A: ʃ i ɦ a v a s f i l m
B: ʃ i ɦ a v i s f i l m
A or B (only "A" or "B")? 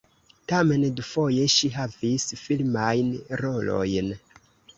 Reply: B